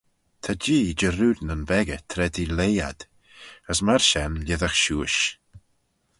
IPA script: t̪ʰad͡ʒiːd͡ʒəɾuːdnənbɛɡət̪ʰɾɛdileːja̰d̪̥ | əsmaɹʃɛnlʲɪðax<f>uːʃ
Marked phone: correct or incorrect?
incorrect